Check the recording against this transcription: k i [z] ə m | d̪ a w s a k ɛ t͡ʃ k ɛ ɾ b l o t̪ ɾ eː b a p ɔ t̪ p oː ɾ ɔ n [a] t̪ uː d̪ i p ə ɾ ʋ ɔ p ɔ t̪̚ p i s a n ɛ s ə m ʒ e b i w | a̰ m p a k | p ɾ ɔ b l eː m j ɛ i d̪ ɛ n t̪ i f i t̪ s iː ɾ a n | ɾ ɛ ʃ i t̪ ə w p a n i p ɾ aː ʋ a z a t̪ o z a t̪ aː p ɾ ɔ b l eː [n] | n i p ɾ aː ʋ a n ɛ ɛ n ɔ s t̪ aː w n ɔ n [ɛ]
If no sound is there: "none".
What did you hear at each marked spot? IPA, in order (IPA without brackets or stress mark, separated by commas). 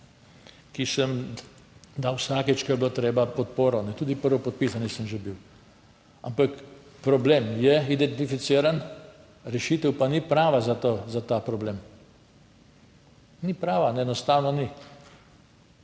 s, ɛ, m, i